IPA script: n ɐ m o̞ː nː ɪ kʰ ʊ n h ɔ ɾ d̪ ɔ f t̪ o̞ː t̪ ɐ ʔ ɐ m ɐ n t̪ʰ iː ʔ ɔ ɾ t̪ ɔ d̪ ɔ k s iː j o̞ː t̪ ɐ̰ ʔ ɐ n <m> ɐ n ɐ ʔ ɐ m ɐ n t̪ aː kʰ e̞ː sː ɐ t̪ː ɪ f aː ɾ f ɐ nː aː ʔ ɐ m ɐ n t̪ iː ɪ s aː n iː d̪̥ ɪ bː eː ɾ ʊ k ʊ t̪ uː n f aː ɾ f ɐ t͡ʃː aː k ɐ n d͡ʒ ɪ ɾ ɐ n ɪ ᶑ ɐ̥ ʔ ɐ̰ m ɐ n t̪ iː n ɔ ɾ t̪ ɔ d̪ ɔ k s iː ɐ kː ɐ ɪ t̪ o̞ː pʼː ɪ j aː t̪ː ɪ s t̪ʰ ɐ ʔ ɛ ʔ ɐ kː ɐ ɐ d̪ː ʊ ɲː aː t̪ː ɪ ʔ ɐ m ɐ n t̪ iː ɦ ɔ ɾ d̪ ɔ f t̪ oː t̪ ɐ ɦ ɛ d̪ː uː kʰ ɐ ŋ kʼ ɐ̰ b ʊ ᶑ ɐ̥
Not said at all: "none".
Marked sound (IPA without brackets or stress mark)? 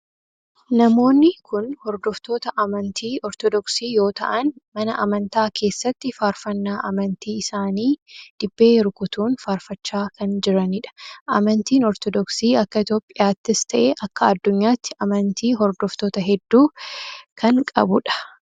m